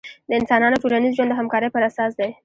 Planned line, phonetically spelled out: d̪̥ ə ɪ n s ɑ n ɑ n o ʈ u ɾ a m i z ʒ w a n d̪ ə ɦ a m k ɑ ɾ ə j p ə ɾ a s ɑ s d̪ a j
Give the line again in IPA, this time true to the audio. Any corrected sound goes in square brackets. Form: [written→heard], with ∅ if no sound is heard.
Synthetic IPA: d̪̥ ə ɪ n s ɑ n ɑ n o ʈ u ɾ a [m→n] i z ʒ w a n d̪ ə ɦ a m k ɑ ɾ ə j p ə ɾ a s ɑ s d̪ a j